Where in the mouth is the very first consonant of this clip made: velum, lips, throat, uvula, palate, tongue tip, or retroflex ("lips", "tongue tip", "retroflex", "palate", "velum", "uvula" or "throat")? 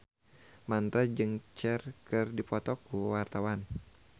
lips